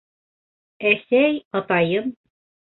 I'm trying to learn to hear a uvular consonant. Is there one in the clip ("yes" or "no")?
no